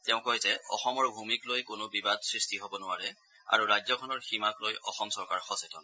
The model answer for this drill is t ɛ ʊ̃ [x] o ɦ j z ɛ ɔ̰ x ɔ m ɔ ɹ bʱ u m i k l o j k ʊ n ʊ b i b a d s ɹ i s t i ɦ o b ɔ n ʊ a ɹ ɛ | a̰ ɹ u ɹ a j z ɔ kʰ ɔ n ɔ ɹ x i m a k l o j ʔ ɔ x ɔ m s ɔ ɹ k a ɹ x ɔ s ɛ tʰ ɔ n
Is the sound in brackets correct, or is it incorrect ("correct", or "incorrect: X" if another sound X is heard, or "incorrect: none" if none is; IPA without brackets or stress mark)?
incorrect: k